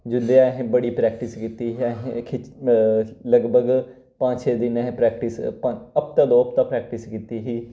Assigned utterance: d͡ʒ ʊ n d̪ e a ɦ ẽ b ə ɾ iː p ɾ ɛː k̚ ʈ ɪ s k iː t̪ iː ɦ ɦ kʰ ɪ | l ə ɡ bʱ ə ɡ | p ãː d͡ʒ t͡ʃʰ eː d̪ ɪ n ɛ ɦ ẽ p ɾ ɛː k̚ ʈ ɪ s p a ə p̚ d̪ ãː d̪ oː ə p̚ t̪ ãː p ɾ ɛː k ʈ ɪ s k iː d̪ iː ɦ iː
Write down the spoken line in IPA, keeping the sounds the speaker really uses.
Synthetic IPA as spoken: d͡ʒ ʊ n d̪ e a ɦ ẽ b ə ɽ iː p ɾ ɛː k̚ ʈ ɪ s k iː t̪ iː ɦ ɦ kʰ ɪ | l ə ɡ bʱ ə ɡ | p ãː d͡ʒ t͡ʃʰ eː d̪ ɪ n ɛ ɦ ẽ p ɾ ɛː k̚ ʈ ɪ s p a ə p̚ t̪ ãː d̪ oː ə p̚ t̪ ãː p ɾ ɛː k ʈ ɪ s k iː t̪ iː ɦ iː